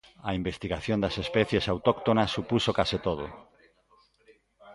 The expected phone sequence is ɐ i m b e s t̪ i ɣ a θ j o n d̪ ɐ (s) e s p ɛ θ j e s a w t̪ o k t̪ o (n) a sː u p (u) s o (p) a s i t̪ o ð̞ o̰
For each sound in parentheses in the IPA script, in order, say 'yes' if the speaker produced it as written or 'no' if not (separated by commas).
yes, yes, yes, no